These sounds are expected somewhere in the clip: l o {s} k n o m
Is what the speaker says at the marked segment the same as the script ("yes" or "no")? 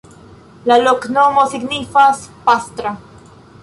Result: no